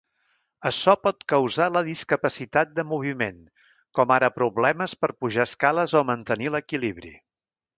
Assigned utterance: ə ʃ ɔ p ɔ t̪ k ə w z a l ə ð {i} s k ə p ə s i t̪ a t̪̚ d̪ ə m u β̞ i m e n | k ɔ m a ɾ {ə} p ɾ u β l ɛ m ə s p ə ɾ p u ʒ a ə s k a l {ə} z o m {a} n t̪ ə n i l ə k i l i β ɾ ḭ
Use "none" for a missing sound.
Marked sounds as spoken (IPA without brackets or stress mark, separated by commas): i, ə, ə, ə